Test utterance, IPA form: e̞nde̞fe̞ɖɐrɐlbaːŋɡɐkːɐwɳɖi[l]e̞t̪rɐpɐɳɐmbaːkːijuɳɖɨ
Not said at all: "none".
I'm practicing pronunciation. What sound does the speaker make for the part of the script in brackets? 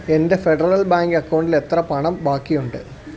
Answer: l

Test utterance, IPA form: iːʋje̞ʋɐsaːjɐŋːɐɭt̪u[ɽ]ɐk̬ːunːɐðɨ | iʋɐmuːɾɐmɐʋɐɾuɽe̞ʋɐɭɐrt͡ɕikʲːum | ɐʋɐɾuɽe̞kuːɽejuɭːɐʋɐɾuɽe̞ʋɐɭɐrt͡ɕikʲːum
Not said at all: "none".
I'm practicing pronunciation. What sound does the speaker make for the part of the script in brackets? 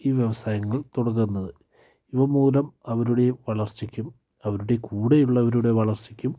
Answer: ɽ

